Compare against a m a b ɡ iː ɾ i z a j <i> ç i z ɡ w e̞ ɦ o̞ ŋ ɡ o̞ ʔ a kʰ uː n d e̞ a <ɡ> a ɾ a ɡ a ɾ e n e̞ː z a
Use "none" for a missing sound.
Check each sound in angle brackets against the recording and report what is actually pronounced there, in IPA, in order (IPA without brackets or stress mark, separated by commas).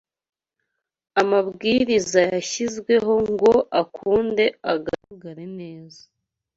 a, ɡ